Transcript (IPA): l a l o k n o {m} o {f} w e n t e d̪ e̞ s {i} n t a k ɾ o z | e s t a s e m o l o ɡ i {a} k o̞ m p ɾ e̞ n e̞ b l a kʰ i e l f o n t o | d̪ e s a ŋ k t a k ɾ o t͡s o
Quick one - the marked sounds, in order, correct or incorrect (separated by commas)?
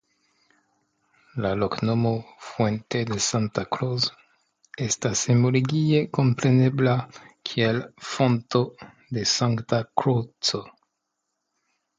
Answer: correct, correct, incorrect, incorrect